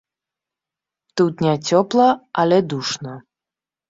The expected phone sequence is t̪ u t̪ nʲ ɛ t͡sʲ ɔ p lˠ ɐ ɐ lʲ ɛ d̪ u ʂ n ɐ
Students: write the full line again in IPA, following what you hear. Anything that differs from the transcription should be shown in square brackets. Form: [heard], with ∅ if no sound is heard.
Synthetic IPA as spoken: t̪ u t̪ nʲ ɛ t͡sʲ ɔ p lˠ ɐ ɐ lʲ ɛ d̪ u ʂ n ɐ